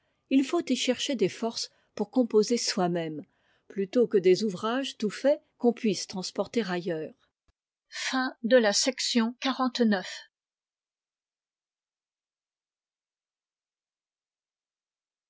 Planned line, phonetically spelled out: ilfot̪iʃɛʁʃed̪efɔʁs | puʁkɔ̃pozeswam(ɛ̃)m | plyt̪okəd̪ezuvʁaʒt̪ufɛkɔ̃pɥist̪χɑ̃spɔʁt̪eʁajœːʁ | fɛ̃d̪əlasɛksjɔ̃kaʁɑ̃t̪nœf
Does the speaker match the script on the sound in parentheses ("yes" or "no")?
no